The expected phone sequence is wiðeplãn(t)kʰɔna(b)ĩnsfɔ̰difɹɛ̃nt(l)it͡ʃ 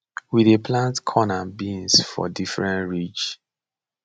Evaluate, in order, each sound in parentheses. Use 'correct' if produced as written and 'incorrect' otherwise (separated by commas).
correct, correct, incorrect